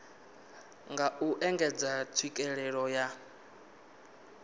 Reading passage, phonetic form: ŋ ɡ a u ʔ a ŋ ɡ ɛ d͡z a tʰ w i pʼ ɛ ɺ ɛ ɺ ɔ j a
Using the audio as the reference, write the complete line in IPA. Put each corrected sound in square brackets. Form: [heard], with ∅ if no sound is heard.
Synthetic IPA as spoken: ŋ ɡ a u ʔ [ɛ] ŋ ɡ ɛ d͡z a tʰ w i [kʼ] ɛ ɺ ɛ ɺ ɔ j a